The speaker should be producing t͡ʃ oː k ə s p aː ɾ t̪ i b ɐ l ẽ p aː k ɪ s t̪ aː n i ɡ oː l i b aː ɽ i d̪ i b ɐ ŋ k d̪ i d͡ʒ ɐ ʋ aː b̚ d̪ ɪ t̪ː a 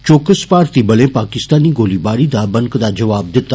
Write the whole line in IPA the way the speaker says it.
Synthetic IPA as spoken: t͡ʃ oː k ə s p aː ɾ t̪ i b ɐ l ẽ p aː k ɪ s t̪ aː n i ɡ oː l i b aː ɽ i d̪ a b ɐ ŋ k d̪ a d͡ʒ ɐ ʋ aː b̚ d̪ ɪ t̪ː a

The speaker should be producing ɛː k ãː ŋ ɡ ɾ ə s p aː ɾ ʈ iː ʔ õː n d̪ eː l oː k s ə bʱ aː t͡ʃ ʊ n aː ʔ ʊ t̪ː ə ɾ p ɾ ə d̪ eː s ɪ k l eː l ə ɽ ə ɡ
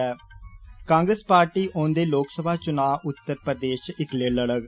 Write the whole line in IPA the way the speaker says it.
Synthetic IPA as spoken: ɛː k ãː ŋ ɡ ɾ ə s p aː ɾ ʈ iː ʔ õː n d̪ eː l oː k s ə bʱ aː t͡ʃ ʊ n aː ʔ ʊ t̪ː ə ɾ p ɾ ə d̪ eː ʃ ɪ k l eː l ə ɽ ə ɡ

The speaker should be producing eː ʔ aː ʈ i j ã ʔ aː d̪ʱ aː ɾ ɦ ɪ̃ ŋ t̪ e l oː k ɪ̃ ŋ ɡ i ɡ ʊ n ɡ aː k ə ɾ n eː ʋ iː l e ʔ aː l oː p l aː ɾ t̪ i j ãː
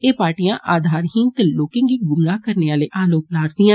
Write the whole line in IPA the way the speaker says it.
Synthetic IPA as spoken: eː p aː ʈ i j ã ʔ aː d̪ʱ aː ɾ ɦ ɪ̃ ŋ t̪ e l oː k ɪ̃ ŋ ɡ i ɡ ʊ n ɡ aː k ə ɾ n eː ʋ aː l e ʔ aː l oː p l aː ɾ d̪ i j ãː

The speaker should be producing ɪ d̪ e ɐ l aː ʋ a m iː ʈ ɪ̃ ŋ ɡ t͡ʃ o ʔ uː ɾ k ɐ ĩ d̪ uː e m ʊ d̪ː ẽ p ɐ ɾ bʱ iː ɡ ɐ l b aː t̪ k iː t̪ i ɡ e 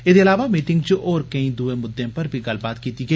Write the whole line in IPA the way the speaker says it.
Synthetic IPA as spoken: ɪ d̪ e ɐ l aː ʋ a m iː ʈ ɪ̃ ŋ ɡ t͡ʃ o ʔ ɔː ɾ k ɐ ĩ d̪ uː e m ʊ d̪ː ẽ p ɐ ɾ bʱ i ɡ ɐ l b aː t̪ k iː t̪ i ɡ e

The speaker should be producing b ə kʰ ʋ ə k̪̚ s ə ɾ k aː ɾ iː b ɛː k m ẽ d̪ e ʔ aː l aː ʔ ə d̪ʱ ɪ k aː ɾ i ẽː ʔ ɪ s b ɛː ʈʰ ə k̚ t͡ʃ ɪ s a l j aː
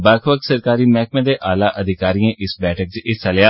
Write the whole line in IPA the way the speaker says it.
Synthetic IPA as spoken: b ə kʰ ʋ ə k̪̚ s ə ɾ k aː ɾ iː m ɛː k m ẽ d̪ e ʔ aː l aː ʔ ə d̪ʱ ɪ k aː ɾ i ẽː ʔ ɪ s b ɛː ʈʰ ə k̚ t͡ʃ ɪ s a l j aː

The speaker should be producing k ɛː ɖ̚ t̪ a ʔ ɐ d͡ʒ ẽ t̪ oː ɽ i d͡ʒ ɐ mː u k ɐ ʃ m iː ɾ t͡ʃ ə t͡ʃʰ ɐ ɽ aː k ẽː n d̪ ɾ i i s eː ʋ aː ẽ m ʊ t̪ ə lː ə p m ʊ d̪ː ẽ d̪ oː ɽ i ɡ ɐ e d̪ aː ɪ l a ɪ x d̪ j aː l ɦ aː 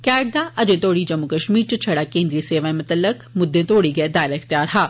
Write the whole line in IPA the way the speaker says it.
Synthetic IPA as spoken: k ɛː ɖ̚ d̪ a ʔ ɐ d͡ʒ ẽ t̪ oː ɽ i d͡ʒ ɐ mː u k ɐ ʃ m iː ɾ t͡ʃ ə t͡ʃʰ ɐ ɽ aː k ẽː n d̪ ɾ i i s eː ʋ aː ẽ m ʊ t̪ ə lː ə k m ʊ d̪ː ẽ t̪ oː ɽ i ɡ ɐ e d̪ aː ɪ l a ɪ x t̪ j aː ɾ ɦ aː

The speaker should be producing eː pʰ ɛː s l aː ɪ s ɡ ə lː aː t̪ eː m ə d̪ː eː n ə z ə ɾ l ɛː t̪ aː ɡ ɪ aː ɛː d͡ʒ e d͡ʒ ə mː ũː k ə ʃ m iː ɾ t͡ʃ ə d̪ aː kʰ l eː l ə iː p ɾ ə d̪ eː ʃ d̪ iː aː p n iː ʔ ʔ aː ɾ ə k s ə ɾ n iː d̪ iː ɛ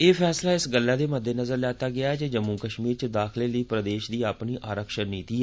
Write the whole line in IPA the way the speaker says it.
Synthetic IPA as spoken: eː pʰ ɛː s l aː ɪ s ɡ ə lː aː d̪ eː m ə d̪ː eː n ə z ə ɾ l ɛː t̪ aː ɡ ɪ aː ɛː d͡ʒ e d͡ʒ ə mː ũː k ə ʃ m iː ɾ t͡ʃ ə d̪ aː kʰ l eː l ə iː p ɾ ə d̪ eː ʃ d̪ iː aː p n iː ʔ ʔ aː ɾ ə k ʃ ə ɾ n iː t̪ iː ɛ

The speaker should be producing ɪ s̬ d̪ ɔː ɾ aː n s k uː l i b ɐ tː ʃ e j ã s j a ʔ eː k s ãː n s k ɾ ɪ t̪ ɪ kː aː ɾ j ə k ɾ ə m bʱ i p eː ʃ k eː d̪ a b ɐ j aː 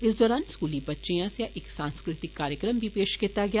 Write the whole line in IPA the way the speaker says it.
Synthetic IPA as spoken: ɪ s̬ d̪ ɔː ɾ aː n s k uː l i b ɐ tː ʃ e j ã s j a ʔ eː k s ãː n s k ɾ ɪ t̪ ɪ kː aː ɾ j ə k ɾ ə m bʱ i p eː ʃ k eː t̪ a ɡ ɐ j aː

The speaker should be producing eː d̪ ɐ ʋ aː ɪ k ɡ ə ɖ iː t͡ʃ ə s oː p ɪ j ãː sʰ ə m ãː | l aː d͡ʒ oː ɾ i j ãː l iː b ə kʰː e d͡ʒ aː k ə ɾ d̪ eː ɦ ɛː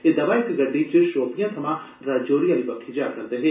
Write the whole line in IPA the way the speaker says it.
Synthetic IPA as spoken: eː d̪ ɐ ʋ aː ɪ k ɡ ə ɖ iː t͡ʃ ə ʃ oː p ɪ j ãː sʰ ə m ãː | ɾ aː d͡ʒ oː ɾ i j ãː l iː b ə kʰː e d͡ʒ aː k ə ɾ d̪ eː ɦ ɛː

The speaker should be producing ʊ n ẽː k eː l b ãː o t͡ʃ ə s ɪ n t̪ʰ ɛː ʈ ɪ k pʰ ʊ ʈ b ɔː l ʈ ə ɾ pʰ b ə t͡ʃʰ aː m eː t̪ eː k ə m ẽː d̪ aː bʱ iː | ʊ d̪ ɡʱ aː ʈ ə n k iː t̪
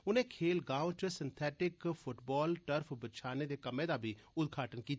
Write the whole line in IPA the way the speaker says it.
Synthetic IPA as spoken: ʊ n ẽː kʰ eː l ɡ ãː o t͡ʃ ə s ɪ n t̪ʰ ɛː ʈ ɪ k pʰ ʊ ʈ b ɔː l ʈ ə ɾ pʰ b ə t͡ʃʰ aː n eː d̪ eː k ə m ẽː d̪ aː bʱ iː | ʊ d̪ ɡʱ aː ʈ ə n k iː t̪

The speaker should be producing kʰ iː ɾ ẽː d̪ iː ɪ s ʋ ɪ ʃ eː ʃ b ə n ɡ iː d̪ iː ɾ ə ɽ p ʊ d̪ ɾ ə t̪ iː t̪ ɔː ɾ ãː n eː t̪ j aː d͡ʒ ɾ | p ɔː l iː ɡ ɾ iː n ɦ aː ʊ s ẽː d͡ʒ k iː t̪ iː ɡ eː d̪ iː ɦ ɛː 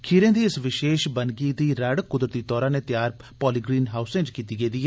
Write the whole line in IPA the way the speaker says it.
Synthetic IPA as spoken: kʰ iː ɾ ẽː d̪ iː ɪ s ʋ ɪ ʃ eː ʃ b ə n ɡ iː d̪ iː ɾ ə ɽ k ʊ d̪ ɾ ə t̪ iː t̪ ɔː ɾ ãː n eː t̪ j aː ɾ | p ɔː l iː ɡ ɾ iː n ɦ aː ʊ s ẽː d͡ʒ k iː t̪ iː ɡ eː d̪ iː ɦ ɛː

